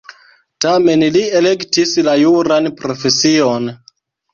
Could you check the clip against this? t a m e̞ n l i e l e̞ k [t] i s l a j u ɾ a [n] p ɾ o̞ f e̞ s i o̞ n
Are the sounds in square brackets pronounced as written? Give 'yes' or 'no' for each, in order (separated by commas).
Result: yes, yes